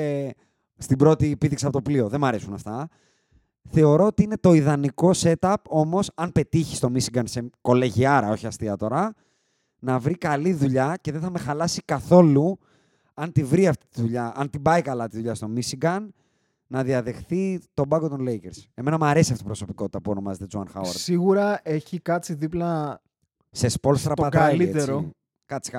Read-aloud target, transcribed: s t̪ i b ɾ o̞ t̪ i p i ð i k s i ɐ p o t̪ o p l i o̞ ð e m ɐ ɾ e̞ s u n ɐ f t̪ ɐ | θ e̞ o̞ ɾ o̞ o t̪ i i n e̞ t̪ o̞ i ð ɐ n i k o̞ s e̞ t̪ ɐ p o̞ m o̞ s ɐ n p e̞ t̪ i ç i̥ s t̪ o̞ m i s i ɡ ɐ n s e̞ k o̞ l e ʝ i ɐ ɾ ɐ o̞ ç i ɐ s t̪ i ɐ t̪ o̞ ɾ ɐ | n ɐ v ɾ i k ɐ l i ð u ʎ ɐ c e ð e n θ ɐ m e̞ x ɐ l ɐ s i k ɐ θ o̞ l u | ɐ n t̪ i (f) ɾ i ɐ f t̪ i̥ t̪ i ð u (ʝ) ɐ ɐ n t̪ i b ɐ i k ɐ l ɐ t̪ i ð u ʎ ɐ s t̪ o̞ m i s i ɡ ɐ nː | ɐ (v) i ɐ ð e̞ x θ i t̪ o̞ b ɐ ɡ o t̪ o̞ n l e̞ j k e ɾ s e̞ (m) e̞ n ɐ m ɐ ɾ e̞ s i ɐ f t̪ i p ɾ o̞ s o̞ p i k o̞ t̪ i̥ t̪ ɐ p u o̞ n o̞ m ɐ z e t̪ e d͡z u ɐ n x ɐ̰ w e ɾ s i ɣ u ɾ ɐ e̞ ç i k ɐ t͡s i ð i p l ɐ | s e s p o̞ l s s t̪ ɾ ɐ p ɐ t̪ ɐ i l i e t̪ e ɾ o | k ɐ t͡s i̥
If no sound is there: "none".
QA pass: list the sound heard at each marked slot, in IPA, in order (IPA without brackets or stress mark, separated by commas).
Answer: v, ʎ, ð, m